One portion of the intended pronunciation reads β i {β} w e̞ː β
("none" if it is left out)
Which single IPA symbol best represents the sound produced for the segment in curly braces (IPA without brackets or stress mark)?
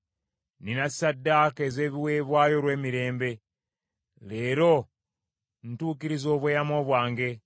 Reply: none